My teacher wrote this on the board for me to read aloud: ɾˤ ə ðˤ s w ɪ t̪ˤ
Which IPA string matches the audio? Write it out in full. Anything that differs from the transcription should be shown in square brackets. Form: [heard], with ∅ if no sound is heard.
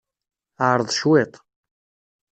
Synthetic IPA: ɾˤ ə ðˤ [ʃ] w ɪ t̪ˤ

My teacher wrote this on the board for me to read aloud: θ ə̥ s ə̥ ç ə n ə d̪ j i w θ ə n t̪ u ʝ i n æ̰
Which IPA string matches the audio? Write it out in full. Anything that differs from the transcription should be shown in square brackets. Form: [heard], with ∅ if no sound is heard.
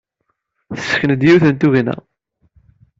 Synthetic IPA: θ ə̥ s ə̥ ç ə n ə d̪ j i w θ ə n t̪ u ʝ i n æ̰

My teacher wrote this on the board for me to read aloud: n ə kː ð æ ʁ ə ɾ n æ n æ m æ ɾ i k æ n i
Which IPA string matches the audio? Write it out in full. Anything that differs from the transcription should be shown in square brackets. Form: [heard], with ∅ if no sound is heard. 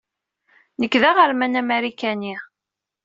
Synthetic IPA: n ə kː ð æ ʁ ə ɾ [m] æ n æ m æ ɾ i k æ n i

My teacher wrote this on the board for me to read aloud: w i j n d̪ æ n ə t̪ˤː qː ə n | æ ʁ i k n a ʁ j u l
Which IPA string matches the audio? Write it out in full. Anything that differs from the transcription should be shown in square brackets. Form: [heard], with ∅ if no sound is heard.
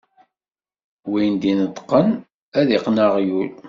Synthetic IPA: w i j n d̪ [i] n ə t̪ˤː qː ə n | æ [ð] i [q] n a ʁ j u l

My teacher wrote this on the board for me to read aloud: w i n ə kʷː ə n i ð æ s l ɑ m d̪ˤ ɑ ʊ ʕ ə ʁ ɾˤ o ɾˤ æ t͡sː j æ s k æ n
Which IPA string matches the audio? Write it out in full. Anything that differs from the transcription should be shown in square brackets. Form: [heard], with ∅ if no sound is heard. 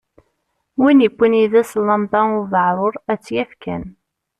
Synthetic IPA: w i n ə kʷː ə n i ð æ s l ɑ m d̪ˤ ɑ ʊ [v] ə [ʕ] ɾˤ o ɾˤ æ t͡sː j æ [f] k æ n

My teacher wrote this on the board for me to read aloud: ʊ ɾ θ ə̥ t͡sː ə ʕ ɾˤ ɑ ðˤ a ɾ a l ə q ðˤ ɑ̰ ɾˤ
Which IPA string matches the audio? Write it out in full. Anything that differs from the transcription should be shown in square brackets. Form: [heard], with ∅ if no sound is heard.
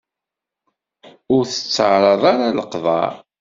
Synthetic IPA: ʊ ɾ θ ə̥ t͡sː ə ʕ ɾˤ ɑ ðˤ a ɾ a l ə q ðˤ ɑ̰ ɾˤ

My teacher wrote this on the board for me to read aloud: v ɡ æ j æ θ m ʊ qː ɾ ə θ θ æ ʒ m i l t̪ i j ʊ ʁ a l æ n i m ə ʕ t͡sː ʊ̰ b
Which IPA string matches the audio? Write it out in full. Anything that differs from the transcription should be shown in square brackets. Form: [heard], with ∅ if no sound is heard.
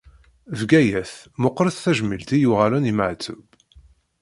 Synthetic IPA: v ɡ æ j æ θ m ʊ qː ɾ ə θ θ æ ʒ m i l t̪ i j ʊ ʁ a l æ n i m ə ʕ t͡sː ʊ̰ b

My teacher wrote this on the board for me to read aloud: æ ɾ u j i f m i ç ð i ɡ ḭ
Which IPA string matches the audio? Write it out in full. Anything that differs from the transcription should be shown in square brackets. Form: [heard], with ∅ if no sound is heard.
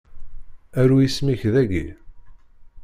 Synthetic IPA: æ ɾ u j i [s] m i ç ð [æ] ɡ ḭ

